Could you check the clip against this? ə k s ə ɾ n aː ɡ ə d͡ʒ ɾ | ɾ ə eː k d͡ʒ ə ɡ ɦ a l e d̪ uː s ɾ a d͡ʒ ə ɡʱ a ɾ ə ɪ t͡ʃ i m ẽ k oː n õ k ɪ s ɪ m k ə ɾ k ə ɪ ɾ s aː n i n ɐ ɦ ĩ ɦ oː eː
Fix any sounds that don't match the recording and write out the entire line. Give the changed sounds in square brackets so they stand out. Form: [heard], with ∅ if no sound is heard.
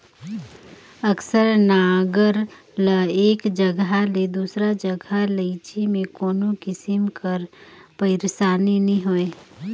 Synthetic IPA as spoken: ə k s ə ɾ n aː ɡ ə [∅] ɾ | [l] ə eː k d͡ʒ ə ɡ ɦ a l e d̪ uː s ɾ a d͡ʒ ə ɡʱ a [l] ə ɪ t͡ʃ i m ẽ k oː n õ k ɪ s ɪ m k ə ɾ [p] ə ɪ ɾ s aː n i n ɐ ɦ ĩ ɦ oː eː